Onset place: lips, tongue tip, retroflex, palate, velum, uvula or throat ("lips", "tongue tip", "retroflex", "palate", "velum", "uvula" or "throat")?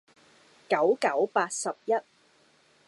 velum